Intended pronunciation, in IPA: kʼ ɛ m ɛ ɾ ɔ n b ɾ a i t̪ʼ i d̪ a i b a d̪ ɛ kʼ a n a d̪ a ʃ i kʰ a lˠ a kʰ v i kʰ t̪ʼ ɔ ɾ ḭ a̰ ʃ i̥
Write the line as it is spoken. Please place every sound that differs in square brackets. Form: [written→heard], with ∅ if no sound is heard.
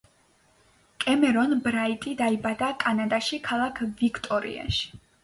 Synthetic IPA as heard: kʼ ɛ m ɛ ɾ ɔ n b ɾ a i t̪ʼ i d̪ a i b a d̪ [ɛ→a] kʼ a n a d̪ a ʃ i kʰ a lˠ a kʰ v i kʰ t̪ʼ ɔ ɾ ḭ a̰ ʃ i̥